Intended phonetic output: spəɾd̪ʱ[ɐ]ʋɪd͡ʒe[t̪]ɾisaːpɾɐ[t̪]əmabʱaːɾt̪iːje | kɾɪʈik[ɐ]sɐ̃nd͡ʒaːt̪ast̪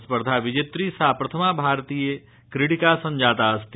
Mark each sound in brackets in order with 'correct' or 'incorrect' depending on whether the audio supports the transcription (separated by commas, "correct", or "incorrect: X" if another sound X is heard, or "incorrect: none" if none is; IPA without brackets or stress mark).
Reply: incorrect: a, correct, incorrect: t̪ʰ, incorrect: a